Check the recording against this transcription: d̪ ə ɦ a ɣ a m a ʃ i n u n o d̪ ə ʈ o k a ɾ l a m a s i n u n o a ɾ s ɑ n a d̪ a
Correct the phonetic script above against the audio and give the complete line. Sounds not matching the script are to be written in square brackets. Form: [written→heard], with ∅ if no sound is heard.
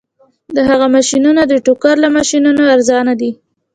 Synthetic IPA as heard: d̪ ə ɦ a ɣ a m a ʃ i n u n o d̪ ə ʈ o k a ɾ l a m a [s→ʃ] i n u n o a ɾ [s→z] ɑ n a d̪ [a→i]